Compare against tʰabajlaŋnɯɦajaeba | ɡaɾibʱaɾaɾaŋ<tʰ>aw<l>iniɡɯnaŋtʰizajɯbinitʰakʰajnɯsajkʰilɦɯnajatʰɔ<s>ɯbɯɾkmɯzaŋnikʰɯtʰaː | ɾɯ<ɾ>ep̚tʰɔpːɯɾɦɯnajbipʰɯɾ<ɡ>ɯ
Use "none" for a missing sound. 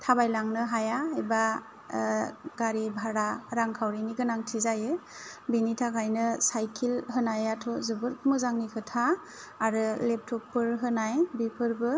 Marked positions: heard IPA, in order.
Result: kʰ, ɾ, z, l, b

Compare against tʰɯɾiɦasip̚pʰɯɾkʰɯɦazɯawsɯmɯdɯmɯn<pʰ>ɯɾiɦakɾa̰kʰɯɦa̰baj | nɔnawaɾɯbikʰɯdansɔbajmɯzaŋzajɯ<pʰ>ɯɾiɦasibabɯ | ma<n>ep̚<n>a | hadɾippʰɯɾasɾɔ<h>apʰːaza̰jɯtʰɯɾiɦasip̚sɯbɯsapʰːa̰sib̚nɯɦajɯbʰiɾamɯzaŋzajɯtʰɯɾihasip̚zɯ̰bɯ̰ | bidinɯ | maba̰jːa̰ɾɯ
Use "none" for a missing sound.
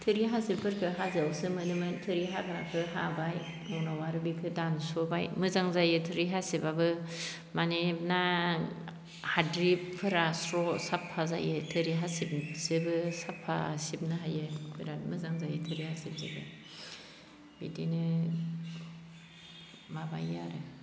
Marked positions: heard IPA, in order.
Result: tʰ, tʰ, n, n, s

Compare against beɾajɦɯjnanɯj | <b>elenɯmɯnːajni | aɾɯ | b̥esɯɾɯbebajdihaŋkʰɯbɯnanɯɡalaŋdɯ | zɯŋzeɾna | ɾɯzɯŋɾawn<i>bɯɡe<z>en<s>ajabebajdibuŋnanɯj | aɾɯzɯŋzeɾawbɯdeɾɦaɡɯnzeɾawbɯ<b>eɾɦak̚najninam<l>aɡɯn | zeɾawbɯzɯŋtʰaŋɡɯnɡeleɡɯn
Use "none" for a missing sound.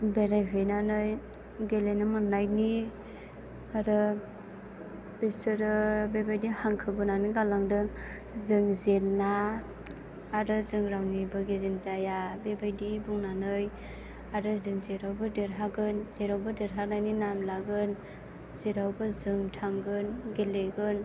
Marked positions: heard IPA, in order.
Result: ɡ, i, z, z, d, l

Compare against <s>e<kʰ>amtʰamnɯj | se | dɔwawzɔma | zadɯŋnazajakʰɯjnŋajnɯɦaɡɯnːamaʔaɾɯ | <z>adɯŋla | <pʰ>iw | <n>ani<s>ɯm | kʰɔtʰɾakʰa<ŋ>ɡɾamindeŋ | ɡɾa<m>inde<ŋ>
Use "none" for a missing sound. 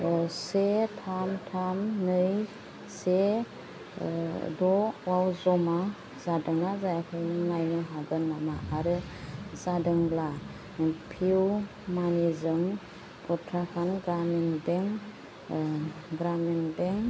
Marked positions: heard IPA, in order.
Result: s, tʰ, z, pʰ, m, z, n, m, ŋ

